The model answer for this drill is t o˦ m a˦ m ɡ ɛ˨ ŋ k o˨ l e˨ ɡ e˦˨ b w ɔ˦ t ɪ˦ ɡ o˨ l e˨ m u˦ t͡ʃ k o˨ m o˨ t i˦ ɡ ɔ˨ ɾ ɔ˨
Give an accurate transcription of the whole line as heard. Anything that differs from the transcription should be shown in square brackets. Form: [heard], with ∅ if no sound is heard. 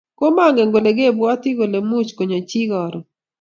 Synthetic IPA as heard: [k] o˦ m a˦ [ŋ] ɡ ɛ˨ ŋ [ɡ] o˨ l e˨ ɡ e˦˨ b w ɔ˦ t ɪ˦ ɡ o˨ l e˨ m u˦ t͡ʃ k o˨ [ɲ] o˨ [t͡ʃ] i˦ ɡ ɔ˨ ɾ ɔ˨